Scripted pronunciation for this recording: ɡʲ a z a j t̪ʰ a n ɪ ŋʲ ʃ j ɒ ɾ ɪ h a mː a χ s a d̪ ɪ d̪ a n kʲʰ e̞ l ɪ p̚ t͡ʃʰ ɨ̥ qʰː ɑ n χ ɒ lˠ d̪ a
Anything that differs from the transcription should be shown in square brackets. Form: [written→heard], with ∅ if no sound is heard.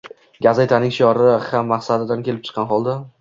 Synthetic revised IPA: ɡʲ a z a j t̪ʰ a n ɪ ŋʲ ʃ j ɒ ɾ ɪ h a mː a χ s a d̪ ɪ d̪ a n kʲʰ e̞ l ɪ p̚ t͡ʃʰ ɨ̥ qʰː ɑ n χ ɒ lˠ d̪ a